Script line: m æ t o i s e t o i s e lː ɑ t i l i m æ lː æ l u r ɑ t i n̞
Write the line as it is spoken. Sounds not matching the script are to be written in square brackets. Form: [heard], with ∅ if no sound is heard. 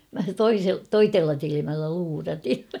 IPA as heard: m æ t o i s e t o i [t] e lː ɑ t i l i m æ lː æ l [uː] r ɑ t i n̞